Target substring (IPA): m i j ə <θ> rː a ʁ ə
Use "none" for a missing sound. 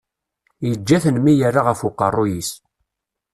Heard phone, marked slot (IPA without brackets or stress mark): none